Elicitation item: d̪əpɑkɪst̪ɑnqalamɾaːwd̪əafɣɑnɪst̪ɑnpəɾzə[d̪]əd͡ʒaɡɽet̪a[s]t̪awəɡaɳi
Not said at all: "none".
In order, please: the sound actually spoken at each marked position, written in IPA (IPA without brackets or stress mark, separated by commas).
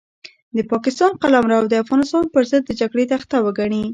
d̪ː, x